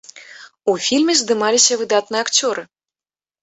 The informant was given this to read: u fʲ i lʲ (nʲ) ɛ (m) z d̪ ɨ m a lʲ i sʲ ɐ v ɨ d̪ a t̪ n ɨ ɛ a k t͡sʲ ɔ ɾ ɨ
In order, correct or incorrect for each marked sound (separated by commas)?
incorrect, incorrect